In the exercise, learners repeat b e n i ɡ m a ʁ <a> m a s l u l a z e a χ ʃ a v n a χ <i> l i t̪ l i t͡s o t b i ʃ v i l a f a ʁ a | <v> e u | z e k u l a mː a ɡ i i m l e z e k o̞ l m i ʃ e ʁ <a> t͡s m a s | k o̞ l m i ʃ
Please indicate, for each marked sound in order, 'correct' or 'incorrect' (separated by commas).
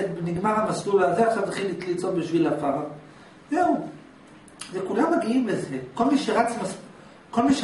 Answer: correct, correct, incorrect, correct